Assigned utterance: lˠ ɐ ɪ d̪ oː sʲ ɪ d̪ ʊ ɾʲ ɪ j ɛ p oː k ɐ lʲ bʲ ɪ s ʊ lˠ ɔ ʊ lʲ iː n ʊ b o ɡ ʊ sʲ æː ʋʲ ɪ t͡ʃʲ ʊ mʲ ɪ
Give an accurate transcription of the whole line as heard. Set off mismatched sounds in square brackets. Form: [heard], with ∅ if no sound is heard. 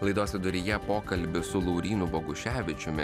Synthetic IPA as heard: lˠ ɐ ɪ d̪ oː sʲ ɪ d̪ ʊ ɾʲ ɪ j ɛ p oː k ɐ lʲ bʲ ɪ s ʊ lˠ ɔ ʊ [ɾʲ] iː n ʊ b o ɡ ʊ [ʃʲ] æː ʋʲ ɪ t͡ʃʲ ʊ mʲ ɪ